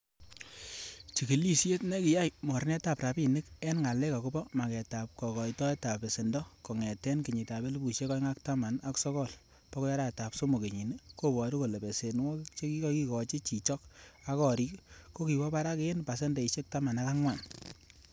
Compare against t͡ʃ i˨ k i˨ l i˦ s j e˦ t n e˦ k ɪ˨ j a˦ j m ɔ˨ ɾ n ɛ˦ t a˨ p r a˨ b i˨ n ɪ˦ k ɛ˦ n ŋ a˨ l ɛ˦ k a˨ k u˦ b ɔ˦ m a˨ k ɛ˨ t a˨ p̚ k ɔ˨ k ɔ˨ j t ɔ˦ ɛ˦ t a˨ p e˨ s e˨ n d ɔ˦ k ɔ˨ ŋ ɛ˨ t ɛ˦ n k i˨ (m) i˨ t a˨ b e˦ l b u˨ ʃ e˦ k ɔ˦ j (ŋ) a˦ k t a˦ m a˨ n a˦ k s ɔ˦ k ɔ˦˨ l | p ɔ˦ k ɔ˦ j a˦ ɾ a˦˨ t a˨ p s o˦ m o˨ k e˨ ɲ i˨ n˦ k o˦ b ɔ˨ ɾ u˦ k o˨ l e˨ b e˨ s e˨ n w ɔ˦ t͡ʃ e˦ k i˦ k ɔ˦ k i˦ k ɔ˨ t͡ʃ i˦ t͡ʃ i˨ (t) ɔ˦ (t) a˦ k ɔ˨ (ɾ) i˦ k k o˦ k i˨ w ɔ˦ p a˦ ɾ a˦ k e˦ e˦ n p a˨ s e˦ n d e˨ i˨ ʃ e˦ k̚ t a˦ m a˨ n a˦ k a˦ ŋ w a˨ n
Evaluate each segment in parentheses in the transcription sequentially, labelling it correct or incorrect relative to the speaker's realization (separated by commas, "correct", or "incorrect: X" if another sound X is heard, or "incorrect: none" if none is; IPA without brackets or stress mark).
incorrect: ɲ, correct, incorrect: t͡ʃ, incorrect: k, correct